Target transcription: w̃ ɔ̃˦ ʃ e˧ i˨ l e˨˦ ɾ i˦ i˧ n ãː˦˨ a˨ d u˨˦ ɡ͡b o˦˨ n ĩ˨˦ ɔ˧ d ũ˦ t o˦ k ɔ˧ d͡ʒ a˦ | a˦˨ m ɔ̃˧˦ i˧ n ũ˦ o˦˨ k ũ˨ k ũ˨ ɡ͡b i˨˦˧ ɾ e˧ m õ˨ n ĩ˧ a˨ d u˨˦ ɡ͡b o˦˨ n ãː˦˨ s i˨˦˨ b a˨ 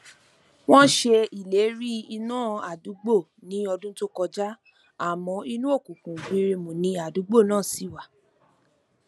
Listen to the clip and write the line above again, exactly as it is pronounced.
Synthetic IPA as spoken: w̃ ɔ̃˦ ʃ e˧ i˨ l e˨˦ ɾ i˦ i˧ n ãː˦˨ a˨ d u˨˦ ɡ͡b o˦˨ n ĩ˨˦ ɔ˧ d ũ˦ t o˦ k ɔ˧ d͡ʒ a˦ | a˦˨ m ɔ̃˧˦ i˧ n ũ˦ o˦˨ k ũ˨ k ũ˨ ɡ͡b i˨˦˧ ɾ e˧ m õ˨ n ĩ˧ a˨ d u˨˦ ɡ͡b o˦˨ n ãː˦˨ s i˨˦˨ w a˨